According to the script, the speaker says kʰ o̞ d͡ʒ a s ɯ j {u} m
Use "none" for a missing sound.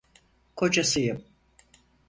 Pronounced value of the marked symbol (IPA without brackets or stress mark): ɯ